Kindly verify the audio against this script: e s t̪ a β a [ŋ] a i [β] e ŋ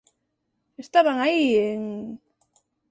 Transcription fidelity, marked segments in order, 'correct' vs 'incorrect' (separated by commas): correct, incorrect